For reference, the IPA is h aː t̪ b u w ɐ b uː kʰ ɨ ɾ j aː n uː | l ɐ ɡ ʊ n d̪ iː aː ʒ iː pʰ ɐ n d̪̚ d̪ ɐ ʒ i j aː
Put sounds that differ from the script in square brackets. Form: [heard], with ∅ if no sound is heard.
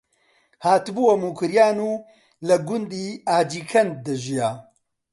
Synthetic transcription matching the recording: h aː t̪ b u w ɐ [m] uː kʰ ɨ ɾ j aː n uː | l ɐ ɡ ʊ n d̪ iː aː [d͡ʒ] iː [kʰ] ɐ n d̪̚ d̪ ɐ ʒ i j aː